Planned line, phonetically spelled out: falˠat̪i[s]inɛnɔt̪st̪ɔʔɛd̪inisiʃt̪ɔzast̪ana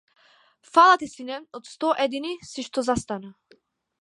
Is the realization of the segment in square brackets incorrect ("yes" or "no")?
no